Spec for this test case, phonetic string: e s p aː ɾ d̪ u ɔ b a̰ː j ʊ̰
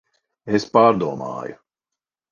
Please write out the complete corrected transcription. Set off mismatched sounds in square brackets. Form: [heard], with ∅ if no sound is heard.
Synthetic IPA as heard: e s p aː ɾ d̪ u ɔ [m] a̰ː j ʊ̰